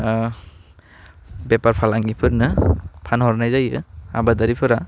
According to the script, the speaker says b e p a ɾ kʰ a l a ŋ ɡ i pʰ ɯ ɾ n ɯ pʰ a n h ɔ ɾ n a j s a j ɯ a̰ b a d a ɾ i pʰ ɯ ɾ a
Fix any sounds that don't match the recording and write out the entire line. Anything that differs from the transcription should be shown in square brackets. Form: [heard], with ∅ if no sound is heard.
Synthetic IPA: b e p a ɾ [pʰ] a l a ŋ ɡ i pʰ ɯ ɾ n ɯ pʰ a n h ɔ ɾ n a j [z] a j ɯ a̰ b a d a ɾ i pʰ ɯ ɾ a